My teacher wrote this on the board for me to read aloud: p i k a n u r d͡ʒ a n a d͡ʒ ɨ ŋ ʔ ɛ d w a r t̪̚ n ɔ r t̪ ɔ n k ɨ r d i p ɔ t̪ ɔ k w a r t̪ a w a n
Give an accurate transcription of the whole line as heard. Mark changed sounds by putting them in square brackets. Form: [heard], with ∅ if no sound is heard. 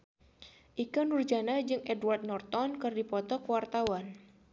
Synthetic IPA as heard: [ʔ] i k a n u r d͡ʒ a n a d͡ʒ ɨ ŋ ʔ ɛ d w a r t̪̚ n ɔ r t̪ ɔ n k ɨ r d i p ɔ t̪ ɔ k w a r t̪ a w a n